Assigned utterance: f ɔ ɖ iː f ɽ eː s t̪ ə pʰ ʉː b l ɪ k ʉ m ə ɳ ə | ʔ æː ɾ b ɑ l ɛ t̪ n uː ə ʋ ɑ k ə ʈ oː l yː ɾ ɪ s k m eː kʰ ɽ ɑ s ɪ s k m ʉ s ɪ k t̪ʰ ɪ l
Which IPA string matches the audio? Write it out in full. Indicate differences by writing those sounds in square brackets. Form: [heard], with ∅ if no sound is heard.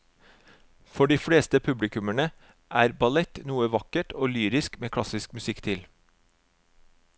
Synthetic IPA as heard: f ɔ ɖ iː f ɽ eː s t̪ ə pʰ [ʉ] b l ɪ k ʉ m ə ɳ ə | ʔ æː ɾ b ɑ l ɛ t̪ n uː ə ʋ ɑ k ə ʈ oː l yː ɾ ɪ s k m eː kʰ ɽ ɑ s ɪ s k m ʉ s ɪ k t̪ʰ ɪ l